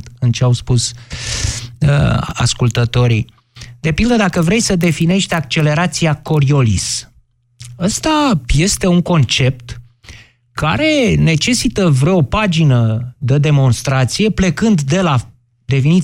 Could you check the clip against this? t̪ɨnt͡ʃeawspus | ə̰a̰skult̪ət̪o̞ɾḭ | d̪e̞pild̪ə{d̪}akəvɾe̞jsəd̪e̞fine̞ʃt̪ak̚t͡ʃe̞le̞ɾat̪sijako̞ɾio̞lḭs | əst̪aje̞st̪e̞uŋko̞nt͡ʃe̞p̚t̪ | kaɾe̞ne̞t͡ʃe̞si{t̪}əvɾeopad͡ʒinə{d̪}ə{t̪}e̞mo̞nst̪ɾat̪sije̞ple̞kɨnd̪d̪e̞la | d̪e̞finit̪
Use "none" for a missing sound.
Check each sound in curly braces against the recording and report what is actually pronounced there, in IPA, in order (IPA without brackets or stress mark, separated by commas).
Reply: d̪, t̪, d̪, d̪